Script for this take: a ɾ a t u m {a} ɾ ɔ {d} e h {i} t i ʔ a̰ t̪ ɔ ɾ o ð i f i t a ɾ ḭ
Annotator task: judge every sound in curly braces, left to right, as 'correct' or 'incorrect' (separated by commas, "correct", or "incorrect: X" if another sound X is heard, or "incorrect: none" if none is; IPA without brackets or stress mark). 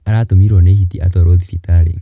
incorrect: i, incorrect: n, correct